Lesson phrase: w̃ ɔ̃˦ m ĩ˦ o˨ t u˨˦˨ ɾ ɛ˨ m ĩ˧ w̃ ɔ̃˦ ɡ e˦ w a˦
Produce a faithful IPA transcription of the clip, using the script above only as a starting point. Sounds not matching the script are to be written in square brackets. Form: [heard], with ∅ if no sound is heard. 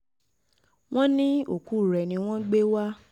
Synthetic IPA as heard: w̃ ɔ̃˦ [n] ĩ˦ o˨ [k] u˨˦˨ ɾ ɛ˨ [n] ĩ˧ w̃ ɔ̃˦ [ɡ͡b] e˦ w a˦